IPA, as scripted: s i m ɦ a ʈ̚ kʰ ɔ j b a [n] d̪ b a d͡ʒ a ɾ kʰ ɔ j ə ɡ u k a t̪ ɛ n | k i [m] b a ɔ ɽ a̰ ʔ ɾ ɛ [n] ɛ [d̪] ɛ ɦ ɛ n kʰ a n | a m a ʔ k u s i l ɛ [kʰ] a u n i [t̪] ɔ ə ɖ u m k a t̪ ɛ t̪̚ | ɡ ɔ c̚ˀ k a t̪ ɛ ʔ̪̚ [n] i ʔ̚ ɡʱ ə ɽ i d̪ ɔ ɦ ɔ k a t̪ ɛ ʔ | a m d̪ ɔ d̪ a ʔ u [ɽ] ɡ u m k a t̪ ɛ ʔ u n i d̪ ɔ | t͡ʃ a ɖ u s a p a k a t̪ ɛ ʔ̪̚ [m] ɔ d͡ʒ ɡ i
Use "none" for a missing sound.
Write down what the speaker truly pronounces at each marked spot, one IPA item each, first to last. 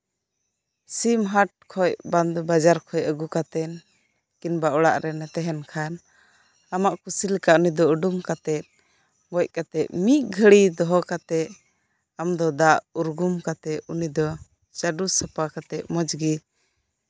n, n, n, t̪, k, d̪, m, ɾ, m

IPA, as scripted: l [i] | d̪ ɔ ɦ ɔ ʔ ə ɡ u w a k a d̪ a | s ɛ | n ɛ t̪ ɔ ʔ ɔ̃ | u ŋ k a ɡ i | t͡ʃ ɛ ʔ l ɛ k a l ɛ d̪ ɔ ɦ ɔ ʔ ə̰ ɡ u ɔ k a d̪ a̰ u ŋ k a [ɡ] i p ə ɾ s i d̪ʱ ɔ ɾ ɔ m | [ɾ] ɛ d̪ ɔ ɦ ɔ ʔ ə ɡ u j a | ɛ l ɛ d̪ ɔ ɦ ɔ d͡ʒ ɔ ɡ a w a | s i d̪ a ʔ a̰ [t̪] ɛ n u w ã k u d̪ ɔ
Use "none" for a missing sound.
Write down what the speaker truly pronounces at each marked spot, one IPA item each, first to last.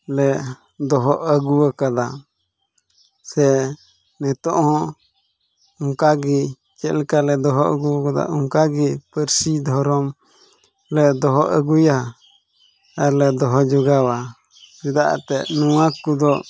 ɛ, ɡ, l, t̪

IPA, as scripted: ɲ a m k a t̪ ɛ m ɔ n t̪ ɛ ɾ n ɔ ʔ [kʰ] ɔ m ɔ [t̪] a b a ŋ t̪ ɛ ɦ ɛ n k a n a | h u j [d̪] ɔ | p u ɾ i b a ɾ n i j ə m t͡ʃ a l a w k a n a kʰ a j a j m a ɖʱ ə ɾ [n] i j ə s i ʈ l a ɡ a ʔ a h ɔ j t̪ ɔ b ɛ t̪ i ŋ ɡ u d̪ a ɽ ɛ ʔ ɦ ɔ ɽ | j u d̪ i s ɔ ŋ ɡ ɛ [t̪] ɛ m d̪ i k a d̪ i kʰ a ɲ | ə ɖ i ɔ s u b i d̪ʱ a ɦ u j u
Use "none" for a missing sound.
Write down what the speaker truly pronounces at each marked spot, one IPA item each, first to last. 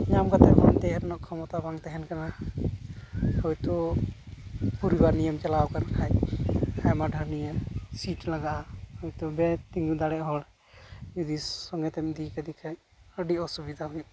kʰ, t̪, t̪, n, t̪

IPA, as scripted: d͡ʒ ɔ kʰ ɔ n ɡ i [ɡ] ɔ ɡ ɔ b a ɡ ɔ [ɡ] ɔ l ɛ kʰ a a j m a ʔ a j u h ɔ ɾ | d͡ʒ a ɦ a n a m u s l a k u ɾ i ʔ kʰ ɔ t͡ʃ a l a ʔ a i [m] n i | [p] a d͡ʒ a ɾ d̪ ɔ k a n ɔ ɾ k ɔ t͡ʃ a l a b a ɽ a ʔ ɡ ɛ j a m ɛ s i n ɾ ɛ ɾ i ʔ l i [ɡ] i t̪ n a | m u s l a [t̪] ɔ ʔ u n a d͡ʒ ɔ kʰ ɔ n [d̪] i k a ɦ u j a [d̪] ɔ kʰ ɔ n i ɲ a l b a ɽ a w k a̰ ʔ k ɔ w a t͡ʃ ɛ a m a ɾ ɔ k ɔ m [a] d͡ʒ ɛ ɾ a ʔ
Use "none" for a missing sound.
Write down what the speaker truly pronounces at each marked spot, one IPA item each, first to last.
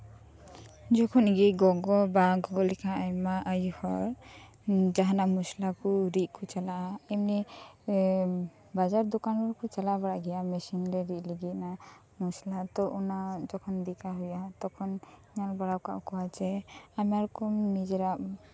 ɡ, ɡ, m, b, ɡ, t̪, d̪, t̪, i

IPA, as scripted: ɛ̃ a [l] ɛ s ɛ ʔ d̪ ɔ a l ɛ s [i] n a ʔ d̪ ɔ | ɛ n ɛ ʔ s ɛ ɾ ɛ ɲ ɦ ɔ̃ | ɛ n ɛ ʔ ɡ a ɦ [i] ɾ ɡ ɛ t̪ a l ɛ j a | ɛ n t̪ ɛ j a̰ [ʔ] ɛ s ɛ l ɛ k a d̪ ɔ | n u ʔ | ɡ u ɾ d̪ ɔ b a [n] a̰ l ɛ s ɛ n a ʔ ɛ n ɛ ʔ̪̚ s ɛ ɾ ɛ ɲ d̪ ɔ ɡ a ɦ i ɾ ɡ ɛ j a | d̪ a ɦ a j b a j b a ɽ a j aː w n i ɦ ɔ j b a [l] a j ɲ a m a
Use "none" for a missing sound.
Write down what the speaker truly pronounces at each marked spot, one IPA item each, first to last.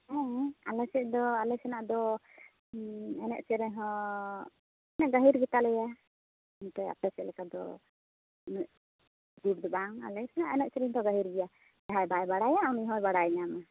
l, ɛ, i, p, ŋ, ɽ

